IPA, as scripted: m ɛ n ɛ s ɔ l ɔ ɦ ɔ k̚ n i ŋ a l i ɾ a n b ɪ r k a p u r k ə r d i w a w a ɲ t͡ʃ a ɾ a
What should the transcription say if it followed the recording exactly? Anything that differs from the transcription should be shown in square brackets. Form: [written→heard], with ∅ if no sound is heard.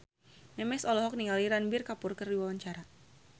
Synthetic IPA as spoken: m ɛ [n→m] ɛ s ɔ l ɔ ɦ ɔ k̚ n i ŋ a l i ɾ a n b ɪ r k a p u r k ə r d i w a w a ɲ t͡ʃ a ɾ a